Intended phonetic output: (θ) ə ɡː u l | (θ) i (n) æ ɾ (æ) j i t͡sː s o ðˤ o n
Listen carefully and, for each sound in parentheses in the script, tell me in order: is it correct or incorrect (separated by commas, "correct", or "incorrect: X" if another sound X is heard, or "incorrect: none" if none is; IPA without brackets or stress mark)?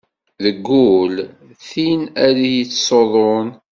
incorrect: ð, correct, correct, incorrect: i